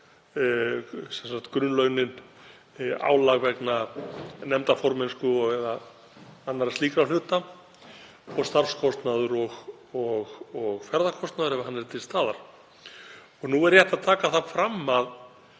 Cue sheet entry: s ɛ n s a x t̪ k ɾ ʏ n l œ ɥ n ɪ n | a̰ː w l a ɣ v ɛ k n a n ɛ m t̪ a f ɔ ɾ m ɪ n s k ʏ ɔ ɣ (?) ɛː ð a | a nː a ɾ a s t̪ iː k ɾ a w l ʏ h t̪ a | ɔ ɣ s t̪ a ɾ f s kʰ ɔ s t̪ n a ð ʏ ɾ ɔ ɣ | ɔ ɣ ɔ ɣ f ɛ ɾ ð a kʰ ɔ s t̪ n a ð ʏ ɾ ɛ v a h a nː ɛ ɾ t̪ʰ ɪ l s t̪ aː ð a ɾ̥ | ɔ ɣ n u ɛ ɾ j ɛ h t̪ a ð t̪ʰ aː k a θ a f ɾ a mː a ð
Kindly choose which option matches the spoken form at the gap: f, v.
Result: v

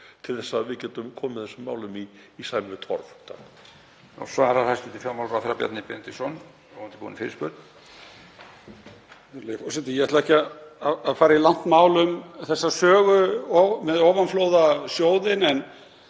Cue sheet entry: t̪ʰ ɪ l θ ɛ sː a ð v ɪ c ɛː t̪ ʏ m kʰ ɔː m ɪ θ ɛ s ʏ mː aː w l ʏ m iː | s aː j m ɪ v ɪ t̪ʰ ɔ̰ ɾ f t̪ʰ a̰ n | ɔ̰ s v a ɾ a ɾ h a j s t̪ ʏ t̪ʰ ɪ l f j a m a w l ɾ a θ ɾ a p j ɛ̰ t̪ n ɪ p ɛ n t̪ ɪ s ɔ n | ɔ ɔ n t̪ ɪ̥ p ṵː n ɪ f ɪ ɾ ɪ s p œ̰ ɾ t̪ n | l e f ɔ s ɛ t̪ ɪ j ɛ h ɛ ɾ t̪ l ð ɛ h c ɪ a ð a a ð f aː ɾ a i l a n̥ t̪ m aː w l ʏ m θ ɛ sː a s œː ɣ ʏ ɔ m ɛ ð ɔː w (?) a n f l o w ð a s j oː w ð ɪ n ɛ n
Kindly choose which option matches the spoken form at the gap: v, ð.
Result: v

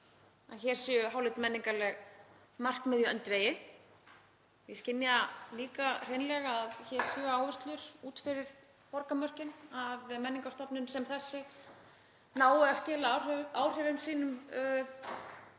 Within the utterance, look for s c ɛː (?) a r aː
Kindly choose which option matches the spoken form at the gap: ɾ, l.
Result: l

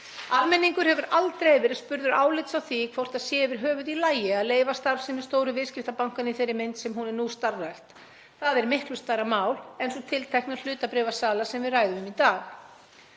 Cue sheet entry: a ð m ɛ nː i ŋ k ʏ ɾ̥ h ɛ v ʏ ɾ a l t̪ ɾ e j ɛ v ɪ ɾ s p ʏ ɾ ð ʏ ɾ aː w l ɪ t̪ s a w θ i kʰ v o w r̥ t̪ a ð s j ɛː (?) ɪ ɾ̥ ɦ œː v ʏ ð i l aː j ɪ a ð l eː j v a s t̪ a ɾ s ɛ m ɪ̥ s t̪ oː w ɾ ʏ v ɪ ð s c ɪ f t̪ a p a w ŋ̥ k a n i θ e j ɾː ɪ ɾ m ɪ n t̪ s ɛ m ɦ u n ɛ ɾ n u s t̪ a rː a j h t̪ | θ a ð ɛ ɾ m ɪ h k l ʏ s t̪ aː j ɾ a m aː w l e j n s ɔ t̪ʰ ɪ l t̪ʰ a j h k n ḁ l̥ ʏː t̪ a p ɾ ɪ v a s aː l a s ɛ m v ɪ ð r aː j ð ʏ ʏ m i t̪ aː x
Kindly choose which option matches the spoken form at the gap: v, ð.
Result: v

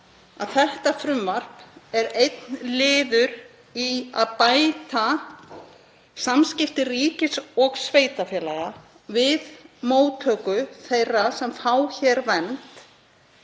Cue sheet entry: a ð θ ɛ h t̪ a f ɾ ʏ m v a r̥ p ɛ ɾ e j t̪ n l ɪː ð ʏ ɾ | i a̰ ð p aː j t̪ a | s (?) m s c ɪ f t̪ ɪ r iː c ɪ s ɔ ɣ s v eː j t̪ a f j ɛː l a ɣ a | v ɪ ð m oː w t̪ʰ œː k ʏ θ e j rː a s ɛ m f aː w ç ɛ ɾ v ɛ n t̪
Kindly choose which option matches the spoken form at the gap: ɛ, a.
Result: a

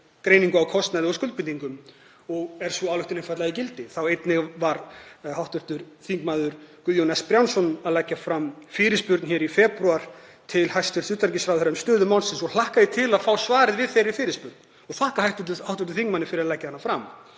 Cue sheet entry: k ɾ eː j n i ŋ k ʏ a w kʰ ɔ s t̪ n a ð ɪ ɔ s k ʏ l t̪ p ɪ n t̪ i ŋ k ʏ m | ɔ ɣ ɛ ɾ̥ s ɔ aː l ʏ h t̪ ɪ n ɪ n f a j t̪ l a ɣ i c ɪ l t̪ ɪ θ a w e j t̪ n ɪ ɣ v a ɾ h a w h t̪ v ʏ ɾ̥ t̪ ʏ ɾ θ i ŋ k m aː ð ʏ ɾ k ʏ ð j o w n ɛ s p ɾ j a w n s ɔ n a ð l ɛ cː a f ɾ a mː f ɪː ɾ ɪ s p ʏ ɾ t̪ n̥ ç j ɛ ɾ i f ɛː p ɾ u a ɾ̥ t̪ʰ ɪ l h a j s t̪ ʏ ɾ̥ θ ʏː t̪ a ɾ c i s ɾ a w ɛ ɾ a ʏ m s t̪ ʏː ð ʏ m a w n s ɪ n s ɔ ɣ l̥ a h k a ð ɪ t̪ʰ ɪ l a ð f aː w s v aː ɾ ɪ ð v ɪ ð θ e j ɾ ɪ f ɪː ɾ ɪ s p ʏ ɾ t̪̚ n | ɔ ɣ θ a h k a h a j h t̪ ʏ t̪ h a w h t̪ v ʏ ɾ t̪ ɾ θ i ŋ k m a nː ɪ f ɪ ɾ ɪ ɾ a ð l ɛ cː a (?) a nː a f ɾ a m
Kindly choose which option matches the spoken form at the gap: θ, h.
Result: h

